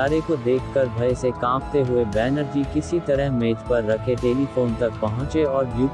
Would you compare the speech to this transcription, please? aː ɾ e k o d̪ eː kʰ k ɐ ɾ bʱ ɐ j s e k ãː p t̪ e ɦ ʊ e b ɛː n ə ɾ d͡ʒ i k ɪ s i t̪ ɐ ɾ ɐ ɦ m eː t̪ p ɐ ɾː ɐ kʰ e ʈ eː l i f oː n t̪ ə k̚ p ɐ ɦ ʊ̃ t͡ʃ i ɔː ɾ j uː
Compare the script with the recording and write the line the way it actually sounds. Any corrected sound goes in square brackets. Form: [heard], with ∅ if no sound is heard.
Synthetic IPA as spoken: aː ɾ e k o d̪ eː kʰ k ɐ ɾ bʱ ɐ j s e k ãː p t̪ e ɦ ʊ e b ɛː n ə ɾ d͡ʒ i k ɪ s i t̪ ɐ ɾ [ə] ɦ m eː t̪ p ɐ ɾː ɐ kʰ e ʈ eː l i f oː n t̪ [ɐ] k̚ p ɐ ɦ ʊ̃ t͡ʃ [e] ɔː ɾ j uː